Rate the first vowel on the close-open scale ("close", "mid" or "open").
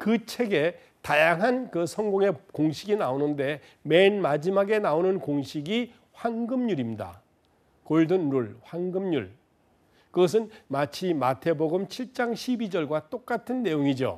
close